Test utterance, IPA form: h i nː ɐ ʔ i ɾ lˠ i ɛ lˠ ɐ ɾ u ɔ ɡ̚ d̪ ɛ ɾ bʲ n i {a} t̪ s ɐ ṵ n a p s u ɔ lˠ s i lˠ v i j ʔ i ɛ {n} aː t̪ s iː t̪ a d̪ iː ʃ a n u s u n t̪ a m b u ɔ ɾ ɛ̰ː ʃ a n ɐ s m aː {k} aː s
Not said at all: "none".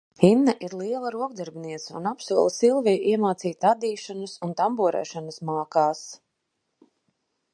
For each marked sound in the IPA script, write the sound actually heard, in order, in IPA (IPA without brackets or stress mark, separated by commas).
ɛ, m, k